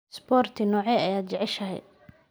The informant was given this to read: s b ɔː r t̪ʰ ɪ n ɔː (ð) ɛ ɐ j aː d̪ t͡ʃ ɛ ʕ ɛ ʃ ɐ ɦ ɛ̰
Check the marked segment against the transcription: incorrect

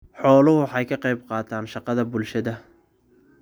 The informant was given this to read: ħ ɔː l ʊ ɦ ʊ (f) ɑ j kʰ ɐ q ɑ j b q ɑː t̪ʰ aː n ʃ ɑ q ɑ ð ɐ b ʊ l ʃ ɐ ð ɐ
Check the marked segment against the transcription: incorrect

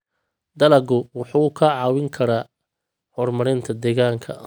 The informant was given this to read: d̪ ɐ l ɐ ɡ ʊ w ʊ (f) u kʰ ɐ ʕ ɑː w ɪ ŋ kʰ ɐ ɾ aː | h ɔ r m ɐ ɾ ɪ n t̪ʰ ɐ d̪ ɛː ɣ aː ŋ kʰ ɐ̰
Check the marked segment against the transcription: incorrect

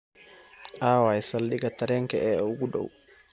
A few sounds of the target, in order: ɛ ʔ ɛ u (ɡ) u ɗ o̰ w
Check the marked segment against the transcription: correct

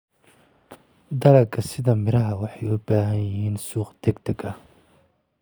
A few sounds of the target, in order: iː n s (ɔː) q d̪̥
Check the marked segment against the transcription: incorrect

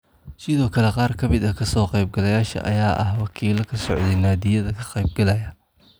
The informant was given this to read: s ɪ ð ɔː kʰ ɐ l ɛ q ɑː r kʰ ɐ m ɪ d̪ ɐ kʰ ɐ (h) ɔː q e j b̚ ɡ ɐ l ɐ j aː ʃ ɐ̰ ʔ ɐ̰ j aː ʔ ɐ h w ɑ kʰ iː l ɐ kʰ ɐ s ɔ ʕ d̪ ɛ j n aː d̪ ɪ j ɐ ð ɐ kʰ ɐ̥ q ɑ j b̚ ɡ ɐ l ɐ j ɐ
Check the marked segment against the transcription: incorrect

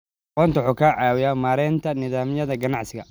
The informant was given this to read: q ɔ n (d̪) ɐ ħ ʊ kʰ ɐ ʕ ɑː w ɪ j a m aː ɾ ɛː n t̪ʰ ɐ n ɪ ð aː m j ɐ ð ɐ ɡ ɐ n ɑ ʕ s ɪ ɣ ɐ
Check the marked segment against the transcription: incorrect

